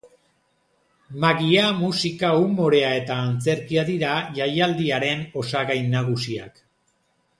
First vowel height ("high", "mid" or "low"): low